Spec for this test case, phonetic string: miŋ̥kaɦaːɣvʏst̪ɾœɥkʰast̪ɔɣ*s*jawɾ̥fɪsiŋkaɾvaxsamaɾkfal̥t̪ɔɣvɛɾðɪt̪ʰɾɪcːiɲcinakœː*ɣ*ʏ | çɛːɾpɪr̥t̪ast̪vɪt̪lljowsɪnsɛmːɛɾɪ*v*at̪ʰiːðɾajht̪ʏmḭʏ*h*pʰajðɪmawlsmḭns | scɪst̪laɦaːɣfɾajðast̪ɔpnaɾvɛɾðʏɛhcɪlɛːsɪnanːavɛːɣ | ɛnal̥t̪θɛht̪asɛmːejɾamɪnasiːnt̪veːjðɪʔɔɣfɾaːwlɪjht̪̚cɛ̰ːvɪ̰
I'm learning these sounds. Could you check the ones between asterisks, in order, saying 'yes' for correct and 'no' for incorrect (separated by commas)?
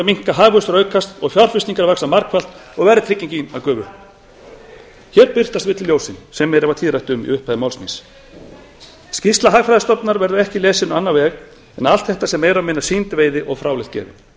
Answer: no, no, yes, yes